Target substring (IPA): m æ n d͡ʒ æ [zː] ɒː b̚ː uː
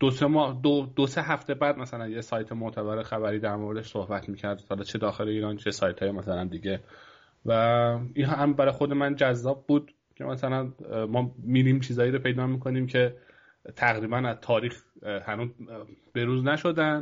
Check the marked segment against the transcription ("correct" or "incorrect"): correct